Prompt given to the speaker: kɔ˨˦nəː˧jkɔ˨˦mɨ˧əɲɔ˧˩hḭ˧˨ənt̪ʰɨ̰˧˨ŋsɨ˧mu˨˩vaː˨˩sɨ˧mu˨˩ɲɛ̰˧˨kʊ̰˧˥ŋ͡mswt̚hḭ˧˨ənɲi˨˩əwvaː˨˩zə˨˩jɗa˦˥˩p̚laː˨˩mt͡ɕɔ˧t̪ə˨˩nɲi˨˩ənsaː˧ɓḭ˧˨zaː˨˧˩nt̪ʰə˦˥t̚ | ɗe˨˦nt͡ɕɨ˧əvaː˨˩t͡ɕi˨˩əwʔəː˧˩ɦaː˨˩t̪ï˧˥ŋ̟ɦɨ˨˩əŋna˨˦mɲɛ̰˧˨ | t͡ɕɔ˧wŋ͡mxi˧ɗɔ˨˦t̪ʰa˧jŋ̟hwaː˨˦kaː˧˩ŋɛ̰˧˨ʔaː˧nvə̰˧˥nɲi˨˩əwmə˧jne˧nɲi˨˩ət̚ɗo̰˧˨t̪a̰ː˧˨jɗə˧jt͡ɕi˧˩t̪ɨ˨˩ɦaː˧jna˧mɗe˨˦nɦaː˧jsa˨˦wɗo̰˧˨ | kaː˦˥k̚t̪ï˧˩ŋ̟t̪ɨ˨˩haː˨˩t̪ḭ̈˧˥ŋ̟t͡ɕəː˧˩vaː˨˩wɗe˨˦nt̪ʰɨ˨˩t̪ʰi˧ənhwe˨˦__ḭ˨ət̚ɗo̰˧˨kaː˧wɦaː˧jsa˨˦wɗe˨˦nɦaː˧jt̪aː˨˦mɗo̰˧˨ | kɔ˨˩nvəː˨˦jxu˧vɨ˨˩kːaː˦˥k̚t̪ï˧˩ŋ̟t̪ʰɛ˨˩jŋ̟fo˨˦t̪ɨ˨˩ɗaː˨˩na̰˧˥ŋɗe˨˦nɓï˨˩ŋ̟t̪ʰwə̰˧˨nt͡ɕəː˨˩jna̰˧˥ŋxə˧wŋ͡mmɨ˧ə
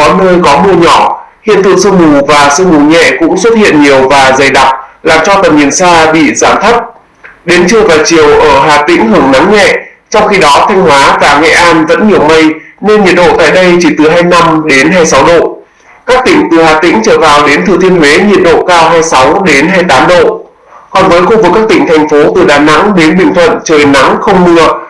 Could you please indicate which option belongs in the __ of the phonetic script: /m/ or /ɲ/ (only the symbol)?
ɲ